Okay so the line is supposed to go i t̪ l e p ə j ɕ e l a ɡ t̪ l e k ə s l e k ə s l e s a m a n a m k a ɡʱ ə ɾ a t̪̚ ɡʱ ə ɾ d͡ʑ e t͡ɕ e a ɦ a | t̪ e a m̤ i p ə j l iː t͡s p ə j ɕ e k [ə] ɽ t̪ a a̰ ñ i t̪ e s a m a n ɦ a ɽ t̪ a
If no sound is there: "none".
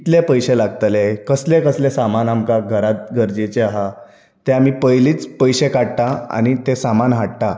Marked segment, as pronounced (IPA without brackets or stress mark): a